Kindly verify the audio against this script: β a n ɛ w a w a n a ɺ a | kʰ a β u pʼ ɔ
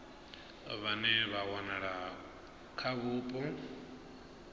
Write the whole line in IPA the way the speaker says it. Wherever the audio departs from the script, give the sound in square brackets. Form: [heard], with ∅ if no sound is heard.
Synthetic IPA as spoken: β a n ɛ [β] a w a n a ɺ a | kʰ a β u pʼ ɔ